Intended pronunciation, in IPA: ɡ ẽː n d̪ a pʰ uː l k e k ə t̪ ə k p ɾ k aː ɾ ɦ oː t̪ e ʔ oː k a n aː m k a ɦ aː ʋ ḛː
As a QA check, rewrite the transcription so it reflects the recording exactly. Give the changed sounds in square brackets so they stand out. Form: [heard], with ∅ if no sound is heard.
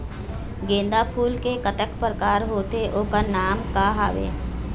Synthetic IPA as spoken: ɡ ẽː n d̪ a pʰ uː l k e k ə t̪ ə k p ɾ k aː ɾ ɦ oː t̪ e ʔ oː k a n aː m k a ɦ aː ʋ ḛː